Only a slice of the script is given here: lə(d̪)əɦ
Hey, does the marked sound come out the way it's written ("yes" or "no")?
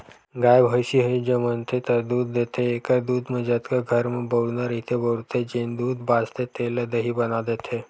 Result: yes